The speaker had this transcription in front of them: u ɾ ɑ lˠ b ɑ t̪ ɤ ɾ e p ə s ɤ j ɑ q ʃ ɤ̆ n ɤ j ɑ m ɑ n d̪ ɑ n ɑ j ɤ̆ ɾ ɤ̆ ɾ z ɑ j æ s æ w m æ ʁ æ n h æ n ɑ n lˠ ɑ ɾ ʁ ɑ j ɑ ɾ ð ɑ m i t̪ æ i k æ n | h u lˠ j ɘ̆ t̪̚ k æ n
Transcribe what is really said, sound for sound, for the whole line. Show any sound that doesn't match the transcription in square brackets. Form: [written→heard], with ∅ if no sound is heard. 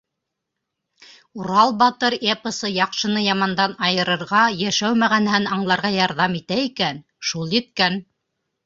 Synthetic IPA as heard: u ɾ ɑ lˠ b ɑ t̪ ɤ ɾ e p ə s ɤ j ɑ q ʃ ɤ̆ n ɤ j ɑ m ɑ n d̪ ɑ n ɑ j ɤ̆ ɾ ɤ̆ ɾ [z→ʁ] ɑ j æ [s→ʃ] æ w m æ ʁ æ n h æ n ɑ [n→ɴ] lˠ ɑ ɾ ʁ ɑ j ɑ ɾ ð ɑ m i t̪ æ i k æ n | [h→ʃ] u lˠ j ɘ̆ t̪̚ k æ n